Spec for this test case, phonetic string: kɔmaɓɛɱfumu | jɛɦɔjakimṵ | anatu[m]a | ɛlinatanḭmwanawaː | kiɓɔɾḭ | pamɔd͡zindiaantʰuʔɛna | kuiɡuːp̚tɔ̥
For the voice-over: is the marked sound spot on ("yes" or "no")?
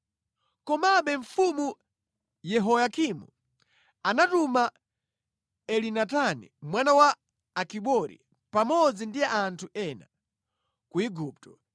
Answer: yes